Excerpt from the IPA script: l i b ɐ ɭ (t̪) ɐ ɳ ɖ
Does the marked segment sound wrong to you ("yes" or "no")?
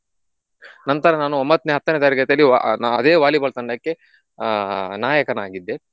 no